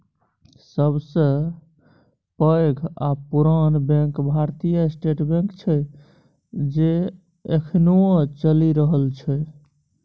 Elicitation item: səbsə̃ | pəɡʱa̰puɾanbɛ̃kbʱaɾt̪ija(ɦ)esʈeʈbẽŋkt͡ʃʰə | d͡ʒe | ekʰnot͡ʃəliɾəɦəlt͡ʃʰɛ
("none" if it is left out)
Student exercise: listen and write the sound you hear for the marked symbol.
none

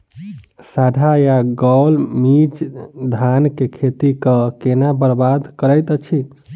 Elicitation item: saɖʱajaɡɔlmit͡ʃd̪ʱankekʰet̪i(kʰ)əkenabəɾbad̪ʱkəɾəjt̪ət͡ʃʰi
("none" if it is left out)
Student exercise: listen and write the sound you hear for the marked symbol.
k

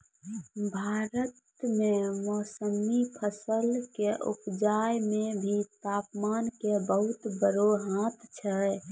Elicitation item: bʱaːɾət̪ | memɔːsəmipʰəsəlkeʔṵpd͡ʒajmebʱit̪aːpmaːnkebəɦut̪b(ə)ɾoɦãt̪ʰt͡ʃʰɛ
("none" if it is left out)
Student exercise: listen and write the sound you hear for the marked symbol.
ə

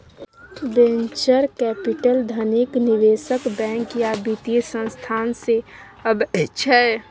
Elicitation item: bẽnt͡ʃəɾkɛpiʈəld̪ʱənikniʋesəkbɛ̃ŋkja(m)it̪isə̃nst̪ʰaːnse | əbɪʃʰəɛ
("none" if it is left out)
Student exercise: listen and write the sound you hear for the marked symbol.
b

